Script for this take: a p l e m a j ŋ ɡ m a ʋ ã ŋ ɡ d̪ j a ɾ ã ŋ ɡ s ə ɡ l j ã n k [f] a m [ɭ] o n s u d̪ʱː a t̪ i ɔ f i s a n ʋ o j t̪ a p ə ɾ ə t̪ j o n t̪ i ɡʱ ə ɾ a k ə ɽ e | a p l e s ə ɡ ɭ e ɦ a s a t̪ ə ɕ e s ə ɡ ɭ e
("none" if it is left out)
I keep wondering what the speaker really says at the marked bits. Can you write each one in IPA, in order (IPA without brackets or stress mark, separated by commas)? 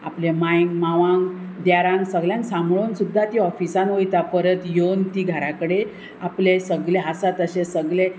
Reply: s, ɭ